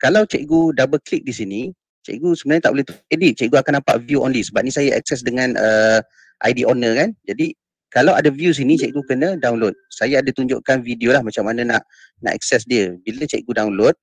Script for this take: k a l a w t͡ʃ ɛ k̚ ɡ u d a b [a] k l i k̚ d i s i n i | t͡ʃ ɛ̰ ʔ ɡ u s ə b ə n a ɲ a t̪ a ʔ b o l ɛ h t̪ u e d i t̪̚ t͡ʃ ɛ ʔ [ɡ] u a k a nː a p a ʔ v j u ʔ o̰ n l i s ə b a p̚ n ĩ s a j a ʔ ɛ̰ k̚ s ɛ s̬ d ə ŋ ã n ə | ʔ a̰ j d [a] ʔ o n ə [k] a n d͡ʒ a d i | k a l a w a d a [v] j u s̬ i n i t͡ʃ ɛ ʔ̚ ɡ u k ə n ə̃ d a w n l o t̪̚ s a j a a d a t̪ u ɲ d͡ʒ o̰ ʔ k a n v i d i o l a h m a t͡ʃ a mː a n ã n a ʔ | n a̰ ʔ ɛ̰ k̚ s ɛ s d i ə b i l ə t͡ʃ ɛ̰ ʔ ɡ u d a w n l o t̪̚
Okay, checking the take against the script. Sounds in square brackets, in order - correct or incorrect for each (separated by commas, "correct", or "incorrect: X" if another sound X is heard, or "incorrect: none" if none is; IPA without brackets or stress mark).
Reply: incorrect: ə, correct, incorrect: i, correct, correct